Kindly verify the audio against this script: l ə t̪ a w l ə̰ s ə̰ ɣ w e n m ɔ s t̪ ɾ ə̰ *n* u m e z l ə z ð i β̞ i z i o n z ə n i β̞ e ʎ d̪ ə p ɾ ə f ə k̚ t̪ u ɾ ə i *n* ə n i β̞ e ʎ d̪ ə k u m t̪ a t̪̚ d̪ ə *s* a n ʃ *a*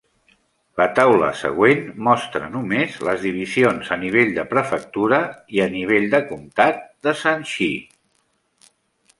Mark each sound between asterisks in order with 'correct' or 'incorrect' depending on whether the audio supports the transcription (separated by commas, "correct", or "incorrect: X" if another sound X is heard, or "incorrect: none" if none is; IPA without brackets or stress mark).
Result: correct, incorrect: none, correct, incorrect: i